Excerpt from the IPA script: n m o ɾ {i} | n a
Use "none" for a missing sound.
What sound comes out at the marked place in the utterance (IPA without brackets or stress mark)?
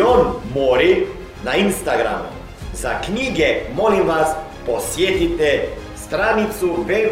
i